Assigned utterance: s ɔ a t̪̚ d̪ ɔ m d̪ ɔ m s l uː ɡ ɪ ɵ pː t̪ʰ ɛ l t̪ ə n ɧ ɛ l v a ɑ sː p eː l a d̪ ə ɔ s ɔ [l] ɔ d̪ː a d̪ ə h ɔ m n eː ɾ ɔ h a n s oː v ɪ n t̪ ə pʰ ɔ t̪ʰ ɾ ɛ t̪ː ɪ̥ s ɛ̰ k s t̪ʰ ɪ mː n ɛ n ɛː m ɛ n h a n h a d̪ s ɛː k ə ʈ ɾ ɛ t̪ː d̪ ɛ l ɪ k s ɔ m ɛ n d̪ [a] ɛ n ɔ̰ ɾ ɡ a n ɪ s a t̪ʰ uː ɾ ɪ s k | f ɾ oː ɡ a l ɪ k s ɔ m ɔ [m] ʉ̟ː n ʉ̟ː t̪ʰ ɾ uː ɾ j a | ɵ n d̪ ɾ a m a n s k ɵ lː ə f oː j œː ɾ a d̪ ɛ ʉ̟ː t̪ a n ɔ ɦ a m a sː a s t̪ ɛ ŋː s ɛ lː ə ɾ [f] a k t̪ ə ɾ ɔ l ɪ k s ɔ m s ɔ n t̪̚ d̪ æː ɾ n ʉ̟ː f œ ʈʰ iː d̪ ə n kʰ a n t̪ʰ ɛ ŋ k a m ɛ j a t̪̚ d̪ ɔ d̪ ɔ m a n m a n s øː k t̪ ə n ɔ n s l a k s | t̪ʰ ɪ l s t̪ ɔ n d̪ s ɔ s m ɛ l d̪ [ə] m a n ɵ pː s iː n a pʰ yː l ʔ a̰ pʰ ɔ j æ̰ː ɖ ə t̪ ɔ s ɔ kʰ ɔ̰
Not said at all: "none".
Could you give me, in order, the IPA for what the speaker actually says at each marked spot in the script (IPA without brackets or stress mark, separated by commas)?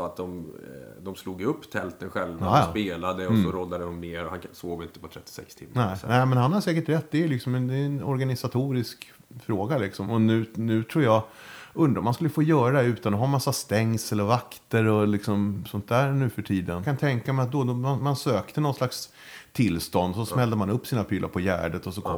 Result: ɾ, ɛ, n, v, ə